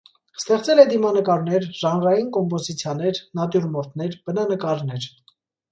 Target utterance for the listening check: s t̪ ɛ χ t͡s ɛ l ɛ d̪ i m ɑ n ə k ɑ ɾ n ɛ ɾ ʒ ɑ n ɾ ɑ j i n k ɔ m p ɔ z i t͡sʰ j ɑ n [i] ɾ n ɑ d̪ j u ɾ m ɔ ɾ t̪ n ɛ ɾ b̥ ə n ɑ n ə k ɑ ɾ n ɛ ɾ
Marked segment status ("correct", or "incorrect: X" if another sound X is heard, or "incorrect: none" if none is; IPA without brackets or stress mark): incorrect: ɛ